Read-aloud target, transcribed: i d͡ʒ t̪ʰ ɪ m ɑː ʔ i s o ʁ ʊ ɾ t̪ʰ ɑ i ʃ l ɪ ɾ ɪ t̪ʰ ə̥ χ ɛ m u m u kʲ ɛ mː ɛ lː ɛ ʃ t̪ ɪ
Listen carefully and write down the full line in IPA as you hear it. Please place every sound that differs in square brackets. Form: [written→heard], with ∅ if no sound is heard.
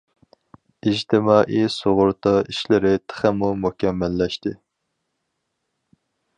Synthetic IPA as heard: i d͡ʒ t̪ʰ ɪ m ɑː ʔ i s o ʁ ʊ ɾ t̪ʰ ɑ i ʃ l ɪ ɾ ɪ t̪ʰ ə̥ χ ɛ m u m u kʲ ɛ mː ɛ lː ɛ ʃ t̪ ɪ

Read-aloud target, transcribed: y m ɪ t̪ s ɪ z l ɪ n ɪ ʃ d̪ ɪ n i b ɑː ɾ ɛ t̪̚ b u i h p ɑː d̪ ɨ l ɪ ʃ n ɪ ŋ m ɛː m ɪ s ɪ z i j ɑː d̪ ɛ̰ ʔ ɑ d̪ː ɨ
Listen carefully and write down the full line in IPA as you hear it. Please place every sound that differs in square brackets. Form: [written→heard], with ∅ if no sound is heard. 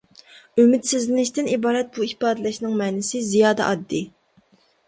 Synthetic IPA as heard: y m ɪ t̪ s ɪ z l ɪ n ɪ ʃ [d̪→t̪] ɪ n i b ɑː ɾ ɛ t̪̚ b u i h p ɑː d̪ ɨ l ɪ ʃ n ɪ ŋ m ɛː [m→n] ɪ s ɪ z i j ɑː d̪ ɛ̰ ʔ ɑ d̪ː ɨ

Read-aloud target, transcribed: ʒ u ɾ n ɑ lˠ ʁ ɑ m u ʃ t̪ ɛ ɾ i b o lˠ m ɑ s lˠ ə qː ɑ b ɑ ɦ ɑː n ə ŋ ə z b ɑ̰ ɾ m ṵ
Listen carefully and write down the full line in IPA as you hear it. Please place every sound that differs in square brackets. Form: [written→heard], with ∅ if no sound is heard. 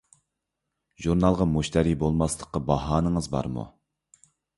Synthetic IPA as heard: ʒ u ɾ n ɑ lˠ ʁ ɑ m u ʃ t̪ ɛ ɾ i b o lˠ m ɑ s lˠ ə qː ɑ b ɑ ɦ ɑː n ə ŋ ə z b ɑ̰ ɾ m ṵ

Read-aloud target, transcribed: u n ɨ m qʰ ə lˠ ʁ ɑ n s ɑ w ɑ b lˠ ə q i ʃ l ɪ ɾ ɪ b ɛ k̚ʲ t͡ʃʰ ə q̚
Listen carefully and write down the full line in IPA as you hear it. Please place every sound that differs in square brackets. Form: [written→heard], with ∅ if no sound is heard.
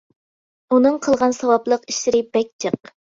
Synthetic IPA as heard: u n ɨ [m→ŋ] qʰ ə lˠ ʁ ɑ n s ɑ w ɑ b lˠ ə q i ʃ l ɪ ɾ ɪ b ɛ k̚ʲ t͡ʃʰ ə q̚

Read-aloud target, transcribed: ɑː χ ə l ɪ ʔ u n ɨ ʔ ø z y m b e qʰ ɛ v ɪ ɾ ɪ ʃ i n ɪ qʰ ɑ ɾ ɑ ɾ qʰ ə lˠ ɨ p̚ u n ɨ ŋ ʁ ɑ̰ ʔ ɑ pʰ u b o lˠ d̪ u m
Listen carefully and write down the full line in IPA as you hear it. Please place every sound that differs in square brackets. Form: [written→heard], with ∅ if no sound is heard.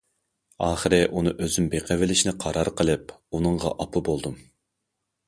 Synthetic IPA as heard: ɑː χ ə [l→ɾ] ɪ ʔ u n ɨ ʔ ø z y m b e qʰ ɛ v ɪ [ɾ→l] ɪ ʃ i n ɪ qʰ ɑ ɾ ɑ ɾ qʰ ə lˠ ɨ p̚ u n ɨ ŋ ʁ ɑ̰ ʔ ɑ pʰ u b o lˠ d̪ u m

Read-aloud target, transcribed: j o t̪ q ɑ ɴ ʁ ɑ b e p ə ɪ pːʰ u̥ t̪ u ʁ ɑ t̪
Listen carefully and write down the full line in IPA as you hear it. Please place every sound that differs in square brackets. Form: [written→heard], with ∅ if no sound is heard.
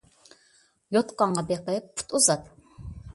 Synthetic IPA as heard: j o t̪ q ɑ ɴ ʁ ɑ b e [p→q] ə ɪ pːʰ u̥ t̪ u [ʁ→z] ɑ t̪

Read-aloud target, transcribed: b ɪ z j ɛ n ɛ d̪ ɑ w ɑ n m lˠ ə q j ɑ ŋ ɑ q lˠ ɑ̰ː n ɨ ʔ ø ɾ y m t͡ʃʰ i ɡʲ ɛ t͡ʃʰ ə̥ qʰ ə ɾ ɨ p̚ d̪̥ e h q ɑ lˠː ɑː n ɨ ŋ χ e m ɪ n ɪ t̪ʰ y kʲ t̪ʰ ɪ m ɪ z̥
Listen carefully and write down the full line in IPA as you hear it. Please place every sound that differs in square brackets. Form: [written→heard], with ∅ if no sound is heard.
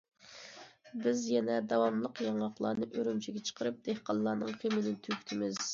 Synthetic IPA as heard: b ɪ z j ɛ n ɛ d̪ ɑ w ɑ [n→∅] m lˠ ə q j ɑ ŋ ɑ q lˠ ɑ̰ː n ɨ ʔ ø ɾ y m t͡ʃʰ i ɡʲ ɛ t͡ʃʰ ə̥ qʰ ə ɾ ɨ p̚ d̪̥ e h q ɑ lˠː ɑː n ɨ ŋ χ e m ɪ n ɪ t̪ʰ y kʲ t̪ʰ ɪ m ɪ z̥

